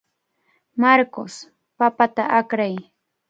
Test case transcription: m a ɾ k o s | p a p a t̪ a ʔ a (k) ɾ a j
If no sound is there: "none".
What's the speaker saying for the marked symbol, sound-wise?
k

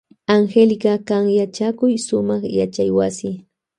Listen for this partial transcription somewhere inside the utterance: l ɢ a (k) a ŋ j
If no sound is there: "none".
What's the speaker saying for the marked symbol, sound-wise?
k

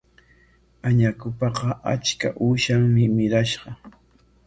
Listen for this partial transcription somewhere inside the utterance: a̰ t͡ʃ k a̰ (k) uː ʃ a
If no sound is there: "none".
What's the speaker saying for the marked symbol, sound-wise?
ʔ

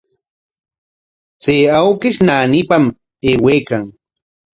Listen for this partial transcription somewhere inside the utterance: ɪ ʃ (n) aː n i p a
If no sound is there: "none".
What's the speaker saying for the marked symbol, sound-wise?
n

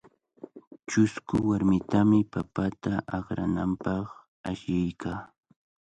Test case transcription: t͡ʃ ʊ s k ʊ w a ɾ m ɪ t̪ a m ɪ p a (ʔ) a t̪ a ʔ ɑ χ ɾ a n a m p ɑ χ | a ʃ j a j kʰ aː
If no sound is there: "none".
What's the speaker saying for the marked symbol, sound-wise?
p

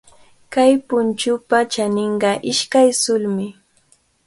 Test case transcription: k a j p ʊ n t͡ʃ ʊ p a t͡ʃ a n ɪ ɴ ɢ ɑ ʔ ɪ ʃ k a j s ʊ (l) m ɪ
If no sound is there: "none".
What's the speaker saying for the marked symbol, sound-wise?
l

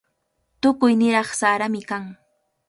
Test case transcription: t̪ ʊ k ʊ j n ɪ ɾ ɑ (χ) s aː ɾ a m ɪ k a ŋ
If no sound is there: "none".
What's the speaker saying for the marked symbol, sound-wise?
χ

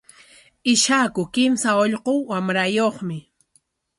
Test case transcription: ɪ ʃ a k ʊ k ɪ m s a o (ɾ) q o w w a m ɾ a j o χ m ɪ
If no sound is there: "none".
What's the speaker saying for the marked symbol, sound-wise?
ʎ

